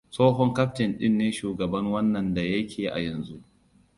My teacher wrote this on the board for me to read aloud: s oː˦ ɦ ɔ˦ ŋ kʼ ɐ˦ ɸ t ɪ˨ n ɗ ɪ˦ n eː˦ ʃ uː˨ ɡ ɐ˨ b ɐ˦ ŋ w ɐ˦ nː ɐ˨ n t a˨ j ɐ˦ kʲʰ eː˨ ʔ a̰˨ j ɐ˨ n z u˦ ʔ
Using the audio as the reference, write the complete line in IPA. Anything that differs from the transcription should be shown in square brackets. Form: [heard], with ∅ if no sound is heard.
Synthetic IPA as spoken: s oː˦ ɦ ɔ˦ ŋ [k] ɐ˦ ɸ t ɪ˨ n ɗ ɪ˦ [nː] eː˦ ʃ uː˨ ɡ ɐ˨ b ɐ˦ ŋ w ɐ˦ nː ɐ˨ n [d] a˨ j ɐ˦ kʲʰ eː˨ ʔ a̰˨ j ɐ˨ n z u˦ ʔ